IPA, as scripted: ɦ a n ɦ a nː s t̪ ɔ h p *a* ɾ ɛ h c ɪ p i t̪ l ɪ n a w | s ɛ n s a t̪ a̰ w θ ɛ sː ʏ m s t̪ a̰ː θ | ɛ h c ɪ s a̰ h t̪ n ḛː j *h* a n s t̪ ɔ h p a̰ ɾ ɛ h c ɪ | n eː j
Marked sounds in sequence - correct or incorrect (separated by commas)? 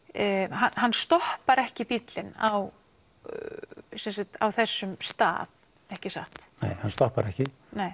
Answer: correct, correct